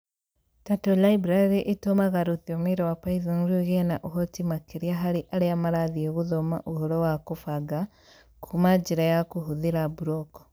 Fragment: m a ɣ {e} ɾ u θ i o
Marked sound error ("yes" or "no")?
yes